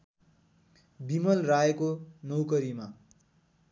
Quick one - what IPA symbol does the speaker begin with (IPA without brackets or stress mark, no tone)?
b